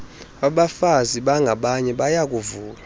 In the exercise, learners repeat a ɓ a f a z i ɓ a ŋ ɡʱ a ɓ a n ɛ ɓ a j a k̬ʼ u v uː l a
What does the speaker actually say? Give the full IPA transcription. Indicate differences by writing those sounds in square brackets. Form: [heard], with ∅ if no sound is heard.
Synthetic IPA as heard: a ɓ a f a z i ɓ a ŋ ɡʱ a ɓ a [ɲ] ɛ ɓ a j a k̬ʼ u v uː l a